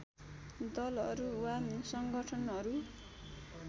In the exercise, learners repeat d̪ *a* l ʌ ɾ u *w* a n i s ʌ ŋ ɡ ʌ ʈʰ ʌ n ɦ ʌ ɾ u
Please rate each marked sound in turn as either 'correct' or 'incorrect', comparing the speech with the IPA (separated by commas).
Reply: incorrect, correct